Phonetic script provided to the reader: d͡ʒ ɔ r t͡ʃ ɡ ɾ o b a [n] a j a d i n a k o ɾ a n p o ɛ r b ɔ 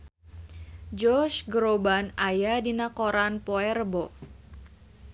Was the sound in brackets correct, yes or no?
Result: yes